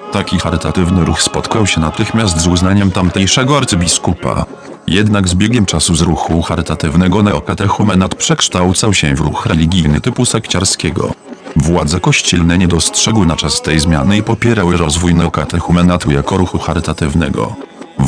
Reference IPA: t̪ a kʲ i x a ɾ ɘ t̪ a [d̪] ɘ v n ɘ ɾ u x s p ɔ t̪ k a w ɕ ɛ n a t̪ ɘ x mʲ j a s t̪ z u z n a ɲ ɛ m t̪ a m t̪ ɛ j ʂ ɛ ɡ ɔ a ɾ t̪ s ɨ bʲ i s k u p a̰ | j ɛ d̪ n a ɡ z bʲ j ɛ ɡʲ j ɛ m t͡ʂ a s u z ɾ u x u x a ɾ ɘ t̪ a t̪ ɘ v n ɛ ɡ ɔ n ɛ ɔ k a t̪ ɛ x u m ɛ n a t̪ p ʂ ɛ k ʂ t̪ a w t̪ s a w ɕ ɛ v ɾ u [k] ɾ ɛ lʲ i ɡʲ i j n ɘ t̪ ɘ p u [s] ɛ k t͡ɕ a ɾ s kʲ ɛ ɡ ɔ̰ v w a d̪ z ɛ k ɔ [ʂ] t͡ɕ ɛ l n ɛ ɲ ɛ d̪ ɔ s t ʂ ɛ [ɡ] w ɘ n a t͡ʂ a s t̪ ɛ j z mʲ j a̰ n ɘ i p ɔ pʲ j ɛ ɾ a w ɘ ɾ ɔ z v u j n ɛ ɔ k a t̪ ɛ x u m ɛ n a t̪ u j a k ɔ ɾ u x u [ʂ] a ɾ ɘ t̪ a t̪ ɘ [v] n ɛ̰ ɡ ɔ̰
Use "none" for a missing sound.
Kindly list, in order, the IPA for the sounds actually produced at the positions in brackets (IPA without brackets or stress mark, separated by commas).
t̪, x, s, ɕ, ɡ, x, v